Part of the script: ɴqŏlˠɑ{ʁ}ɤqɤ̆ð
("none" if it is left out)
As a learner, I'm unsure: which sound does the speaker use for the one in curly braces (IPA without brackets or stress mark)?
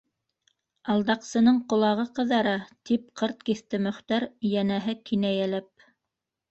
ʁ